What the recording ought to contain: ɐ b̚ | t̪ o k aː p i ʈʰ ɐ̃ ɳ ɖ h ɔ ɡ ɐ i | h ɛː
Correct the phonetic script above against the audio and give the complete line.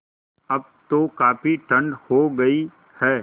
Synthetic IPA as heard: ɐ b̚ | t̪ o k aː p i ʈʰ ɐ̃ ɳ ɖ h o ɡ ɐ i | h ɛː